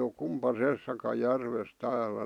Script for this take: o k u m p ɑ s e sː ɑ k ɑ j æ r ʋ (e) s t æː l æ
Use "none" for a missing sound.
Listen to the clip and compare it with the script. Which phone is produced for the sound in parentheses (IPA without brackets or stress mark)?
e